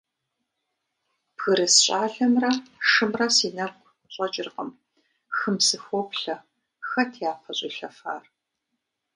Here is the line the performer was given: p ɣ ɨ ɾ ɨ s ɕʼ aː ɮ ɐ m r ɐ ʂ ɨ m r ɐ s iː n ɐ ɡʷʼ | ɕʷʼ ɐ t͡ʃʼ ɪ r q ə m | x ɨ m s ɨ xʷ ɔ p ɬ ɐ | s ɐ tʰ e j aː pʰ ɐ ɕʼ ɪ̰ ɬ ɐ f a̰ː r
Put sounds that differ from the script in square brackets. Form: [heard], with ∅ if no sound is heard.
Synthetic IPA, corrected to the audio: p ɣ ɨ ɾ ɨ s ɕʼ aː ɮ ɐ m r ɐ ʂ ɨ m r ɐ s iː n ɐ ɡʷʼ | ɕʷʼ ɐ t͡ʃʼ ɪ r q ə m | x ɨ m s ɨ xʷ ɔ p ɬ ɐ | [x] ɐ tʰ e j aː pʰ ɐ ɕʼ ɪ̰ ɬ ɐ f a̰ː r